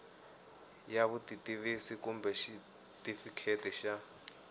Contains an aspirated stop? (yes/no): yes